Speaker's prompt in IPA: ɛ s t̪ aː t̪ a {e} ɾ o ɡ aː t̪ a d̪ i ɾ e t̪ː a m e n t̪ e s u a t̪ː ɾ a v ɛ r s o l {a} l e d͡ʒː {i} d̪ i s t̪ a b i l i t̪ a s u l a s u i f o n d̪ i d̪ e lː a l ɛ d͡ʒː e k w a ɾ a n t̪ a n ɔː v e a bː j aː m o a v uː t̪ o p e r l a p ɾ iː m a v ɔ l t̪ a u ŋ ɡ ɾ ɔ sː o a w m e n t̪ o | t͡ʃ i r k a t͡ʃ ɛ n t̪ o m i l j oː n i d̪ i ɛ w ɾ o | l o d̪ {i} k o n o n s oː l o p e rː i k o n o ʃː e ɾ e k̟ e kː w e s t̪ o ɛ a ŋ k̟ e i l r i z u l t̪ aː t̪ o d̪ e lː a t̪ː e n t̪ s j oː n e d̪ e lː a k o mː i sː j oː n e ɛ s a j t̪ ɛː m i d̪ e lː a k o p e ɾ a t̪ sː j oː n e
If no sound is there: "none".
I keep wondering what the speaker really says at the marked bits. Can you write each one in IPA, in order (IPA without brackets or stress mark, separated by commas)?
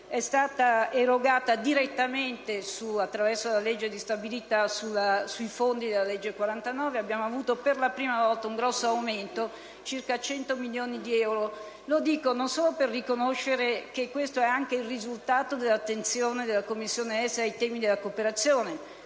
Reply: e, a, e, iː